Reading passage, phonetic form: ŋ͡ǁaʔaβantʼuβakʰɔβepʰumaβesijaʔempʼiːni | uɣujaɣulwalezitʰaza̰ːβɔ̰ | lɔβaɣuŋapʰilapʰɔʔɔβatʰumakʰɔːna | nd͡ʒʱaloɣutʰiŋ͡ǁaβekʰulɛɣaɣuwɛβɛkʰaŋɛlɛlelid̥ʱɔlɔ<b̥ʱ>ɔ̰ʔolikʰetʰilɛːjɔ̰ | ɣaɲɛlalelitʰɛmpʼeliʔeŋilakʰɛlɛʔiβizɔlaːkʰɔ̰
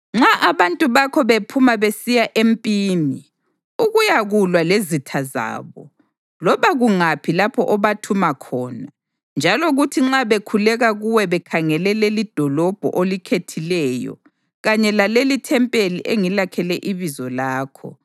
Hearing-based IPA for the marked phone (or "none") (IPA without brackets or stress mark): b̥ʱ